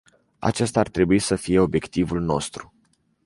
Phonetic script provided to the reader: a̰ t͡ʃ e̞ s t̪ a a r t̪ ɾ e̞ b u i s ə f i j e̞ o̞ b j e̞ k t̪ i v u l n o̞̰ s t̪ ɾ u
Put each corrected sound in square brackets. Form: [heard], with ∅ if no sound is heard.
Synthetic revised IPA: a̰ t͡ʃ e̞ s t̪ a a r t̪ ɾ e̞ b u i s ə f i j e̞ o̞ b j e̞ k t̪ i v u l n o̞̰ s t̪ ɾ u

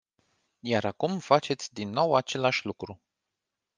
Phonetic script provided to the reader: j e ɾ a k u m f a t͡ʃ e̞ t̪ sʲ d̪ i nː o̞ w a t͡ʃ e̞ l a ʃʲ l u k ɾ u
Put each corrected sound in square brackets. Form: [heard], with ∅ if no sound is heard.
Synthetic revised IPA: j [a] ɾ a k u m f a t͡ʃ e̞ t̪ sʲ d̪ i nː o̞ w a t͡ʃ e̞ l a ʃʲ l u k ɾ u

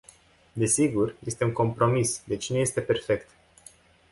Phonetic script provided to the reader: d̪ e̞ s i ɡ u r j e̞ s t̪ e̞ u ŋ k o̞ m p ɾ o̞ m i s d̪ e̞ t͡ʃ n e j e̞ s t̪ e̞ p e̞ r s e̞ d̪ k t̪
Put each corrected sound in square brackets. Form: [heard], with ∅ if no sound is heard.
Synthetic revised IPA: d̪ e̞ s i ɡ u r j e̞ s t̪ e̞ u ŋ k o̞ m p ɾ o̞ m i s d̪ e̞ t͡ʃ n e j e̞ s t̪ e̞ p e̞ r [f] e̞ [∅] k t̪

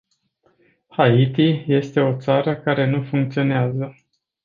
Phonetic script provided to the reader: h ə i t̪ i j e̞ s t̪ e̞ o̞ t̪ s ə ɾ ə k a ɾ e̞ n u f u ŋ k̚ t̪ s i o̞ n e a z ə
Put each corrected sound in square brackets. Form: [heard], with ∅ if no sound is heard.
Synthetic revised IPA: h [a] i t̪ i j e̞ s t̪ e̞ o̞ t̪ s [a] ɾ ə k a ɾ e̞ n u f u ŋ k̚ t̪ s i o̞ n e a z ə

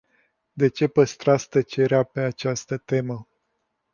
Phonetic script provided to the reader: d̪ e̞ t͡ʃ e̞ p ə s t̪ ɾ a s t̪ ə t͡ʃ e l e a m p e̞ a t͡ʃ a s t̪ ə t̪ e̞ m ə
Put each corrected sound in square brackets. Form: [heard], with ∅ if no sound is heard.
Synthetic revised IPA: d̪ e̞ t͡ʃ e̞ p ə s t̪ ɾ a s t̪ ə t͡ʃ e [ɾ] e a [∅] p e̞ a t͡ʃ a s t̪ ə t̪ e̞ m ə

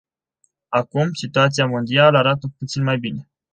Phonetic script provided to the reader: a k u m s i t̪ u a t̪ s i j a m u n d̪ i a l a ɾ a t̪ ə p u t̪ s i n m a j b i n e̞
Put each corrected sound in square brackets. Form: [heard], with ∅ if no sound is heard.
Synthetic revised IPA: a k u m s i t̪ u a t̪ s i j a m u n d̪ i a l a ɾ a t̪ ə p u t̪ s i n m a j b i n e̞

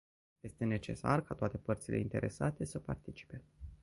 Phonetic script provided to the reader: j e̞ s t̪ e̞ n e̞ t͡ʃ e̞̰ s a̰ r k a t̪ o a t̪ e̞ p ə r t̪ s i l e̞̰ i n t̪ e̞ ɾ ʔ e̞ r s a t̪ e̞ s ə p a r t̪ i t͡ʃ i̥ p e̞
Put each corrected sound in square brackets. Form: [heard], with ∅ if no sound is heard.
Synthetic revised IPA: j e̞ s t̪ e̞ n e̞ t͡ʃ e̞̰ s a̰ r k a t̪ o a t̪ e̞ p ə r t̪ s i l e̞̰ i n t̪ e̞ ɾ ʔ e̞ [∅] s a t̪ e̞ s ə p a r t̪ i t͡ʃ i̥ p e̞

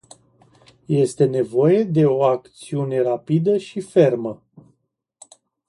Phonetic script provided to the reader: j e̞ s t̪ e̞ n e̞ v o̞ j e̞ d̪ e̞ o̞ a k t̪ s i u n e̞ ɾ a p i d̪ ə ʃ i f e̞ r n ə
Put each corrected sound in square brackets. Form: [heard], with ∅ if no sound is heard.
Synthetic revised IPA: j e̞ s t̪ e̞ n e̞ v o̞ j e̞ d̪ e̞ o̞ a k t̪ s i u n e̞ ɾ a p i d̪ ə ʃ i f e̞ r [m] ə

